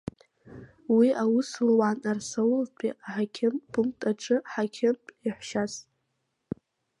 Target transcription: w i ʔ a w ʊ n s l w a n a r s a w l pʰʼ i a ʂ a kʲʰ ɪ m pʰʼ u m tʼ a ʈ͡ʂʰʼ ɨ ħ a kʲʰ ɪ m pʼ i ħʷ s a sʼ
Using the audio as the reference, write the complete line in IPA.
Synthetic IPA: w i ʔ a w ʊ s l w a n a r s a w l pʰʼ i a ħ a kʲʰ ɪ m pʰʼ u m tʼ a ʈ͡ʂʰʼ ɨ ħ a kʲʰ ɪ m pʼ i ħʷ ʃ a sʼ